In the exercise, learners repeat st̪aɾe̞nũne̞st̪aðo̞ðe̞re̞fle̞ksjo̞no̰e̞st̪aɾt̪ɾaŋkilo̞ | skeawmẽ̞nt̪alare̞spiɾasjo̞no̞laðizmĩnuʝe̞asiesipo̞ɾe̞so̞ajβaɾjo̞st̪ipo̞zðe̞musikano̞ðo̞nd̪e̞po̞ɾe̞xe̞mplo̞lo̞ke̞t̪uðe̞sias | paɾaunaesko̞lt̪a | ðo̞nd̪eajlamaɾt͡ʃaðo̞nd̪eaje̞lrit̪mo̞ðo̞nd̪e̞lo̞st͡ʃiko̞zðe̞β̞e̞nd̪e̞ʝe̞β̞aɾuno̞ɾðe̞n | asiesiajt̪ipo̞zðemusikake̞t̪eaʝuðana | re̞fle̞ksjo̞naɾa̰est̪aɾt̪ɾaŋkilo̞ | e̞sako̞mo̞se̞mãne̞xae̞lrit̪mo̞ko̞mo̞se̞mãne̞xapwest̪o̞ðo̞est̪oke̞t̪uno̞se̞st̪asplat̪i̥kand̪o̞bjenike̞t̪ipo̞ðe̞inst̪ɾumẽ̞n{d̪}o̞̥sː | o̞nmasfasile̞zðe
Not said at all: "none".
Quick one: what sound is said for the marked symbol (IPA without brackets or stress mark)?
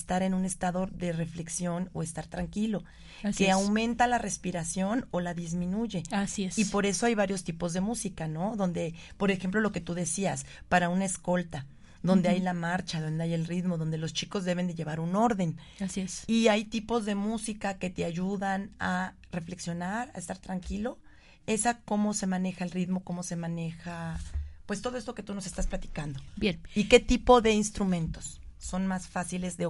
t̪